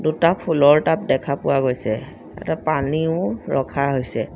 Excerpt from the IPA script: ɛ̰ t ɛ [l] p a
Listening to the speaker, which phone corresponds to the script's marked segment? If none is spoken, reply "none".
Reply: none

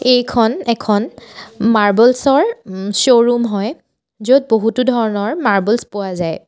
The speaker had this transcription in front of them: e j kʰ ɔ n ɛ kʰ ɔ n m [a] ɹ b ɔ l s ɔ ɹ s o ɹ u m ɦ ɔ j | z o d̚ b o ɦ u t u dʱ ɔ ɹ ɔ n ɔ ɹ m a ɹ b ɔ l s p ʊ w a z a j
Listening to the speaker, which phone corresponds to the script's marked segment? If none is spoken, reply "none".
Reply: a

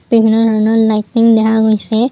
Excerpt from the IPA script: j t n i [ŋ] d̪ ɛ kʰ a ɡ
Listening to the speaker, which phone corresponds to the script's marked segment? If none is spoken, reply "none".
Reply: ŋ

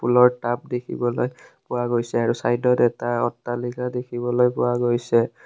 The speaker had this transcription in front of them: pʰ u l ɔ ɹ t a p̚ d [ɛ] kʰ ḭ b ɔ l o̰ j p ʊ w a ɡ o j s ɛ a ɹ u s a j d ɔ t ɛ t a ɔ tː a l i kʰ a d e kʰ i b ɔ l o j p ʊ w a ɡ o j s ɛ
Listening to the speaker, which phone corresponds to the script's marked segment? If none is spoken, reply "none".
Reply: e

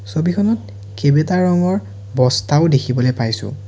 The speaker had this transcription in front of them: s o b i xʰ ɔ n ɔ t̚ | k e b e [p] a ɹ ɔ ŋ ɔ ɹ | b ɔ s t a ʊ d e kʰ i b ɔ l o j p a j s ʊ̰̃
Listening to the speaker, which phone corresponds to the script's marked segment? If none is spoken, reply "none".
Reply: t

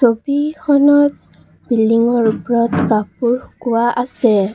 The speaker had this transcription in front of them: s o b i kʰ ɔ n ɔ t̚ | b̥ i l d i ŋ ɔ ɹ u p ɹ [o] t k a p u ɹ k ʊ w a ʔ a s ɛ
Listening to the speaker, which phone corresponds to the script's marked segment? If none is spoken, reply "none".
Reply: ɔ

